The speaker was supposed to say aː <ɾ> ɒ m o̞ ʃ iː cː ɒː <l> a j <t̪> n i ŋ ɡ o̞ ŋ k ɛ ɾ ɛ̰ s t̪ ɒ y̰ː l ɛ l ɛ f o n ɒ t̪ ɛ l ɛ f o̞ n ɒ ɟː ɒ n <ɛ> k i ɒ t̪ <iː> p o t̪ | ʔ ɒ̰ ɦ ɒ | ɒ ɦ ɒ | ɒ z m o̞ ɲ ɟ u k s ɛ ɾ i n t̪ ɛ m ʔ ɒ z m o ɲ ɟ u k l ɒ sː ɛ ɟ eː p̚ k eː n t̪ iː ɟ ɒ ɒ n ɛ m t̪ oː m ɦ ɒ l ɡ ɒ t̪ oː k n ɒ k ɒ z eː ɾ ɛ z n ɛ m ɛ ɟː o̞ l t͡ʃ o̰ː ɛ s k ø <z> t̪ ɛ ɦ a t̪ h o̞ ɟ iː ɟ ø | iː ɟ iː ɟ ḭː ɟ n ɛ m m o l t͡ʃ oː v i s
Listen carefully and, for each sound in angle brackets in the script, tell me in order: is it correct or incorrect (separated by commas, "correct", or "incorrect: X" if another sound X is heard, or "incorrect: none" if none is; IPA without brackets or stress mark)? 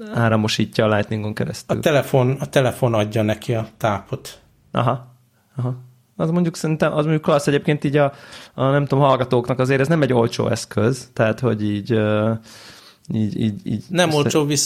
correct, correct, correct, correct, incorrect: aː, correct